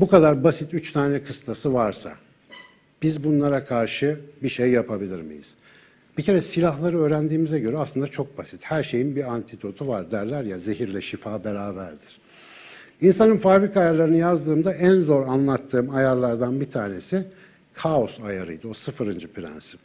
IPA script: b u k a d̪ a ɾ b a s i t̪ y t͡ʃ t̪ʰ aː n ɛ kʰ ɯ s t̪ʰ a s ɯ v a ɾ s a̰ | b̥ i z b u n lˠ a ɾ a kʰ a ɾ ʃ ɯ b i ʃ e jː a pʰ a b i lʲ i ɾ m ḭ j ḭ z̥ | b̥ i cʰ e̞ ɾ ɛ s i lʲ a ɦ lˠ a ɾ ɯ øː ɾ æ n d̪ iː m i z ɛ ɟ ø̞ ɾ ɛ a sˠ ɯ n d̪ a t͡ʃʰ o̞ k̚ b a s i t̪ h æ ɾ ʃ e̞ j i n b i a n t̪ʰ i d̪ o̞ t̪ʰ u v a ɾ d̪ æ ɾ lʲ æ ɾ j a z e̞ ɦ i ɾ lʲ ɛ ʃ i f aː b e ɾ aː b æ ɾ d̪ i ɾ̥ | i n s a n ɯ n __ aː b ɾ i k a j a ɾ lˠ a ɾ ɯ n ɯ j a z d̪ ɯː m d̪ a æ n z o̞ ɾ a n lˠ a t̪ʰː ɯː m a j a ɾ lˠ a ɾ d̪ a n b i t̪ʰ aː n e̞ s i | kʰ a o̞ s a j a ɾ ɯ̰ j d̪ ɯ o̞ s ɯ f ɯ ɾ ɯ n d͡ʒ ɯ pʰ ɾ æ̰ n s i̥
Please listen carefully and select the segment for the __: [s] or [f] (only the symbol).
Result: f